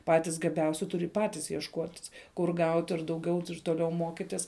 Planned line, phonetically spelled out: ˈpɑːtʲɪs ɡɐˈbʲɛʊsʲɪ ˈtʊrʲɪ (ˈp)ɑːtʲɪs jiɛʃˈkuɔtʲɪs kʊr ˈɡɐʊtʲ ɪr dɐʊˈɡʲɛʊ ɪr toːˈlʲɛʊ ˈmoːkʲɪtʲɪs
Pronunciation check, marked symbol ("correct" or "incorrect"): correct